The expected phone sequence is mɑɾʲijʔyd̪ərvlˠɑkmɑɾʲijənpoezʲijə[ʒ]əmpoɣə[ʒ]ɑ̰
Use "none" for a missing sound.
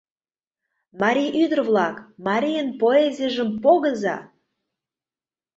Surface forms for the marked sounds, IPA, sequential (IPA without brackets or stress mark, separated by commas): ʒ, z